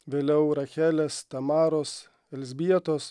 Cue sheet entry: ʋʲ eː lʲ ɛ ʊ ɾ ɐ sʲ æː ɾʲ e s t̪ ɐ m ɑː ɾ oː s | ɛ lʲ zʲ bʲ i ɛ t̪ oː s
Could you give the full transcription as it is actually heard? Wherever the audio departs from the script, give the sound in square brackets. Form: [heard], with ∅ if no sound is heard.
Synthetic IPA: ʋʲ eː lʲ ɛ ʊ ɾ ɐ [xʲ] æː [lʲ] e s t̪ ɐ m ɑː ɾ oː s | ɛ lʲ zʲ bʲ i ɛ t̪ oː s